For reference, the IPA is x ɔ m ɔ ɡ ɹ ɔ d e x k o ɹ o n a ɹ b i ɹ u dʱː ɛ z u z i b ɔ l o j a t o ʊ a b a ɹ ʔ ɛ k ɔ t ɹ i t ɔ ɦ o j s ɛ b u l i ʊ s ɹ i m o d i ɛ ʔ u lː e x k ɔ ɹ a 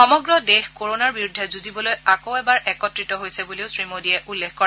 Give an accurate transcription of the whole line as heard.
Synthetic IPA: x ɔ m ɔ ɡ ɹ ɔ d e x k o ɹ o n a ɹ b i ɹ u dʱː ɛ z u z i b ɔ l o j a k o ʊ ɛ b a ɹ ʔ ɛ k ɔ t ɹ i t ɔ ɦ o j s ɛ b u l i ʊ s ɹ i m o d i ɛ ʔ u lː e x k ɔ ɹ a